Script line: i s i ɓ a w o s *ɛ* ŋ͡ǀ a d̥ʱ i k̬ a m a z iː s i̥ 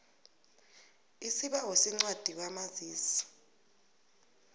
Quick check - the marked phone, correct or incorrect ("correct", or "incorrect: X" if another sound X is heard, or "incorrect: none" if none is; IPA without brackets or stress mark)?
incorrect: i